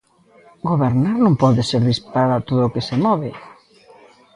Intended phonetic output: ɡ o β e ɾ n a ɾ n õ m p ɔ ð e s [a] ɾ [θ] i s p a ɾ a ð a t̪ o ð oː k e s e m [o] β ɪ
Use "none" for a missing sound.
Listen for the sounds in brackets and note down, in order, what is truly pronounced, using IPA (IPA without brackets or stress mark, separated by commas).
e, ð, ɔ